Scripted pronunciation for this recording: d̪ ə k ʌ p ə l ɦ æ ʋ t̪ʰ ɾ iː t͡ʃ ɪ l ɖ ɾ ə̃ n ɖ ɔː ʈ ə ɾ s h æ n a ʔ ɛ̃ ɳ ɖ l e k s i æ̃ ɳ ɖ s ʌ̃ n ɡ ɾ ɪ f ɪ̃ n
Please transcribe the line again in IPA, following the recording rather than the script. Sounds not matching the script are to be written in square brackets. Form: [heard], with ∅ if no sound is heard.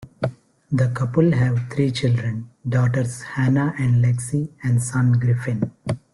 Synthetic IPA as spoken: d̪ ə k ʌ p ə l ɦ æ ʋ t̪ʰ ɾ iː t͡ʃ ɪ l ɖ ɾ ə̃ n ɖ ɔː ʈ ə ɾ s h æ n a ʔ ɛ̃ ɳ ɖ l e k s i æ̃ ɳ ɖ s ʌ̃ n ɡ ɾ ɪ f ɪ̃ n